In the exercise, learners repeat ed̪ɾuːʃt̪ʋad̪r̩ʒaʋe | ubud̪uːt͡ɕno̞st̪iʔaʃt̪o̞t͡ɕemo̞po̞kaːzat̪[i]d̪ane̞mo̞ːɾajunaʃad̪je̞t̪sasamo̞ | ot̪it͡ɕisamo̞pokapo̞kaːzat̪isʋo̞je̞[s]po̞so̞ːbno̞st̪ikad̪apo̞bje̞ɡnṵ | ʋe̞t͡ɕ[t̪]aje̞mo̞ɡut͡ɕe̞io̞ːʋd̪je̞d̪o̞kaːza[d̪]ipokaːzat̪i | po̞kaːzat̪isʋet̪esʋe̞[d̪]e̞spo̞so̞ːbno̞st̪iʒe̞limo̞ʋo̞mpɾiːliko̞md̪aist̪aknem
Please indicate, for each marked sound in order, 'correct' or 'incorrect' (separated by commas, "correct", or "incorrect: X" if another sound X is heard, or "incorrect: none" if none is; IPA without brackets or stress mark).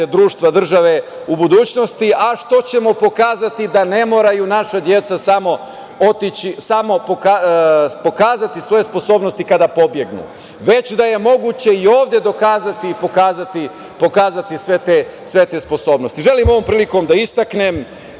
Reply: correct, correct, incorrect: d̪, incorrect: t̪, incorrect: t̪